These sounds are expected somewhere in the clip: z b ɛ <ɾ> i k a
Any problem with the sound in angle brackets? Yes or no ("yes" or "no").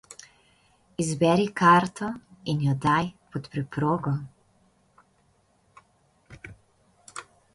no